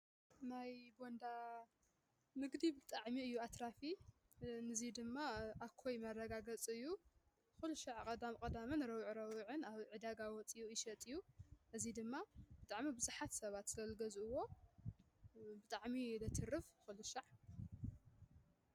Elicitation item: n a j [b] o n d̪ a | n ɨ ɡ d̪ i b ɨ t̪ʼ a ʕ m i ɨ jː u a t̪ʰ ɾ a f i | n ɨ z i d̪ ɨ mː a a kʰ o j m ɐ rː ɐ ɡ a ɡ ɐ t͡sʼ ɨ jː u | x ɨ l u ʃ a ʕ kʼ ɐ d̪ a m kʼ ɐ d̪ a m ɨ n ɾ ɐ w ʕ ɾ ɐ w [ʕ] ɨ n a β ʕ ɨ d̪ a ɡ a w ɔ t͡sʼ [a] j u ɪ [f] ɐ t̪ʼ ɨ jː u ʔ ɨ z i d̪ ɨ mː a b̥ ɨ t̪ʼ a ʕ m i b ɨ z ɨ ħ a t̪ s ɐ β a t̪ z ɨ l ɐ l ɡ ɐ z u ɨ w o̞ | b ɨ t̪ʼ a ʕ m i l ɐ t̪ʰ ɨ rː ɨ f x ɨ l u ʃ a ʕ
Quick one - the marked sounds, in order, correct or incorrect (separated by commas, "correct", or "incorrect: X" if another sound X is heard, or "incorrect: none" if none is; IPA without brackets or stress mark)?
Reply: correct, correct, incorrect: i, incorrect: ʃ